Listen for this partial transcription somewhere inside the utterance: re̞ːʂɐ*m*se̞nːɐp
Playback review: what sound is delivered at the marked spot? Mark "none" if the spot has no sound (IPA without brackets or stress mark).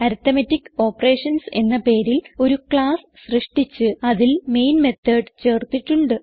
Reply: n